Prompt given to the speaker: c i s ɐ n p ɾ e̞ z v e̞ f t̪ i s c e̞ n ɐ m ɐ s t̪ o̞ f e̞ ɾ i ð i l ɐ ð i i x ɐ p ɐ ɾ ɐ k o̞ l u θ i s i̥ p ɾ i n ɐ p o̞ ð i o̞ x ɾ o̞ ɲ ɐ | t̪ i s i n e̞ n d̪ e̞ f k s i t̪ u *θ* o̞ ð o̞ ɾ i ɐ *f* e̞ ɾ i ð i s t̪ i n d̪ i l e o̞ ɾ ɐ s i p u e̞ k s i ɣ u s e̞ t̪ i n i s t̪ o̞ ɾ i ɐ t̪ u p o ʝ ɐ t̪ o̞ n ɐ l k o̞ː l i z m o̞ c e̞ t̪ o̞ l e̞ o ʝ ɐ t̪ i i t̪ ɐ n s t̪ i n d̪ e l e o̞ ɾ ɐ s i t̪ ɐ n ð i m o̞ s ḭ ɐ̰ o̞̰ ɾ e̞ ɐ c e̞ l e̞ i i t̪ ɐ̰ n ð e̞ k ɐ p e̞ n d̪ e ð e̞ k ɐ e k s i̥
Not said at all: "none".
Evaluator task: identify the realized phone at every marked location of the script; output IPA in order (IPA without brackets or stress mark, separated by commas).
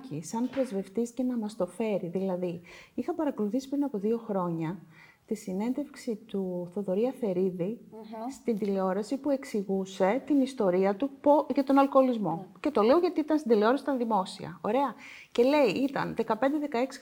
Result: θ, f